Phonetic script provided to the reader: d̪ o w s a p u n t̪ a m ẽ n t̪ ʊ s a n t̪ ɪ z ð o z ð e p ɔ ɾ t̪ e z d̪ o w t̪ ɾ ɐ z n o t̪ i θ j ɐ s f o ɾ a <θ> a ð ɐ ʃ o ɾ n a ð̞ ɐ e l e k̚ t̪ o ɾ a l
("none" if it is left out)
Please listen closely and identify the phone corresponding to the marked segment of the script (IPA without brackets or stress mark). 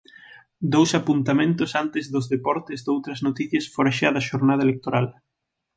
ʃ